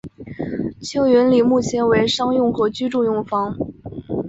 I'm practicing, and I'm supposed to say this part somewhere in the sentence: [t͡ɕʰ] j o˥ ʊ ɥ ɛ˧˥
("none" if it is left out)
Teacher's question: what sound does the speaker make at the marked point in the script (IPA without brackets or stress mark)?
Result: t͡ɕʰ